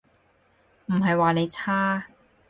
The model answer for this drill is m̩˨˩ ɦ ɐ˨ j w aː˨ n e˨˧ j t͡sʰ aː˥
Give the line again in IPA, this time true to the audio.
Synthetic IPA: m̩˨˩ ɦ ɐ˨ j w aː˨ n e˨˧ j t͡sʰ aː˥